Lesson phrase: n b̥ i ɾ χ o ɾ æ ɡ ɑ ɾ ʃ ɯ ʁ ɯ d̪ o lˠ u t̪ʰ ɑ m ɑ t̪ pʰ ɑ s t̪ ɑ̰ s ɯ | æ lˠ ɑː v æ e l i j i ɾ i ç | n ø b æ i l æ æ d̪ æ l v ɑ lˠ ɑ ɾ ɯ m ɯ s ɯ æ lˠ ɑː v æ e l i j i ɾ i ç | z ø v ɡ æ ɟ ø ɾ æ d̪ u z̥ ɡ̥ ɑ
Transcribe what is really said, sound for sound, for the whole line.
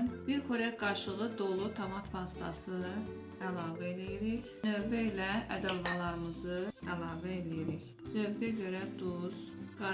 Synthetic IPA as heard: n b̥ i ɾ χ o ɾ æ ɡ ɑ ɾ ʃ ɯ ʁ ɯ d̪ o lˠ u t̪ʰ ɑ m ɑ t̪ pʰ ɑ s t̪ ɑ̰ s ɯ | æ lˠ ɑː v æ e l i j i ɾ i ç | n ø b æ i l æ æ d̪ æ l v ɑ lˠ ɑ ɾ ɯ m ɯ z ɯ æ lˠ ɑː v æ e l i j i ɾ i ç | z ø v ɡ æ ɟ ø ɾ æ d̪ u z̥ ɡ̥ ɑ